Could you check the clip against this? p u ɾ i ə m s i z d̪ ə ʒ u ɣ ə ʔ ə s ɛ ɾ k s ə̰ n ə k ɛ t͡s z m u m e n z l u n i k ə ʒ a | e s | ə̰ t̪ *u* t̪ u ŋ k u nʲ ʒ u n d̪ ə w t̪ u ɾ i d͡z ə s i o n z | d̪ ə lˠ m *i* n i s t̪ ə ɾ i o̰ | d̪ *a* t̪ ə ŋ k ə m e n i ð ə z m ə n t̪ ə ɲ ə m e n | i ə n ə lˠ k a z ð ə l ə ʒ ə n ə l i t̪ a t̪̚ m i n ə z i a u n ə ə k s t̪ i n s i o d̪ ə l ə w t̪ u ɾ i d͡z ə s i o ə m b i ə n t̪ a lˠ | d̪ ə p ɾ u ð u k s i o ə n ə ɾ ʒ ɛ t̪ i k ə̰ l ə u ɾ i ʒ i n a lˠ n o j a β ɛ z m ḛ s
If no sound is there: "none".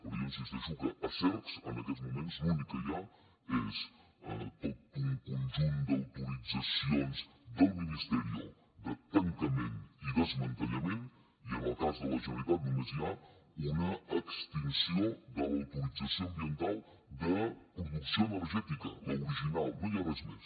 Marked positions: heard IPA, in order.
o, i, ə

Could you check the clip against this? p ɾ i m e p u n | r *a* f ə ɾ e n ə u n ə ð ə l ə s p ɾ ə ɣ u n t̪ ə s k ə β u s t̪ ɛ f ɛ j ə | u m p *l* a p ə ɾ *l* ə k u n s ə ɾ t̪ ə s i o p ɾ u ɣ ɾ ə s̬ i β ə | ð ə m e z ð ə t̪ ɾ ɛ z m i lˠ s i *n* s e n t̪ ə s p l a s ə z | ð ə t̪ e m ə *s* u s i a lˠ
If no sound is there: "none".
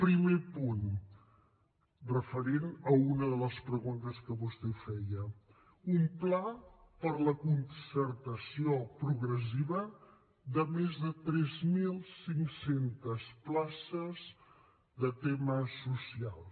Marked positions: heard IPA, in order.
ə, l, l, ŋ, s

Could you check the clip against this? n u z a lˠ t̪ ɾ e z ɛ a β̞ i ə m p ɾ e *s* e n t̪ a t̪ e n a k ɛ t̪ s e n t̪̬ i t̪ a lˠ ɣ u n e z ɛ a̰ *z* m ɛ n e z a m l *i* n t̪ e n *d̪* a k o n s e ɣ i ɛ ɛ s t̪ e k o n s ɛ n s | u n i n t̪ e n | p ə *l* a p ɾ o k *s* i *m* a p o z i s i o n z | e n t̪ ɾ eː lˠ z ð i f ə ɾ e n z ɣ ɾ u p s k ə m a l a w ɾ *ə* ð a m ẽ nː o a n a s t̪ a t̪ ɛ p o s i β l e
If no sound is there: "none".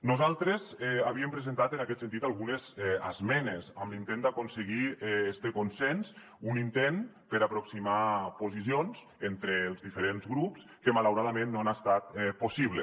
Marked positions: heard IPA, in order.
z, z, i, d̪, ɾ, s, m, a

